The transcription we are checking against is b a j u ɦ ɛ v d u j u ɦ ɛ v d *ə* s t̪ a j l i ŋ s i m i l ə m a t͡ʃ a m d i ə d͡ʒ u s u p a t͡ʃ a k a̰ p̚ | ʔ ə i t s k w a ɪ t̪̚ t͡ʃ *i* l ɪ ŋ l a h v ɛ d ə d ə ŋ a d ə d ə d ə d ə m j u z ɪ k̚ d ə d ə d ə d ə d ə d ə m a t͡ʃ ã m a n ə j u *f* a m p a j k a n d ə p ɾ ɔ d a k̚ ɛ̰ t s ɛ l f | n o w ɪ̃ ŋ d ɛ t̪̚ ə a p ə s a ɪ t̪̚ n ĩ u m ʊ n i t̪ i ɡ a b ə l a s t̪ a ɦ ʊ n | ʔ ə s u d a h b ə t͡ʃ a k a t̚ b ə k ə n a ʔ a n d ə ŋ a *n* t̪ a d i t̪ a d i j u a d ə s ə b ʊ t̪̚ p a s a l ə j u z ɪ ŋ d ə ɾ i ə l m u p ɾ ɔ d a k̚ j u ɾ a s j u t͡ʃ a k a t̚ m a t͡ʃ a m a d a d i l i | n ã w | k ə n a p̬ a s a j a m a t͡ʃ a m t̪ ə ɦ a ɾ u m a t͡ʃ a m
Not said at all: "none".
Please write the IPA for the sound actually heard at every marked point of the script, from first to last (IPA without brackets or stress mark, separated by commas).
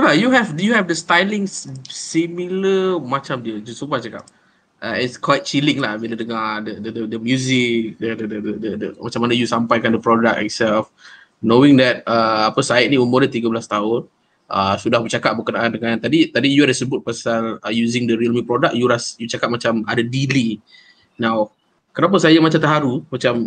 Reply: ə, i, s, n